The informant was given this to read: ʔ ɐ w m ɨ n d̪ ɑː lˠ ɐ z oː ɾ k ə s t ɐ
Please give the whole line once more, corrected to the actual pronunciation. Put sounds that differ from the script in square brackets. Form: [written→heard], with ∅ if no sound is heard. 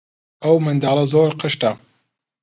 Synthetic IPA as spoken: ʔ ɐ w m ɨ n d̪ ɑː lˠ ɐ z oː ɾ [k→q] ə [s→ʃ] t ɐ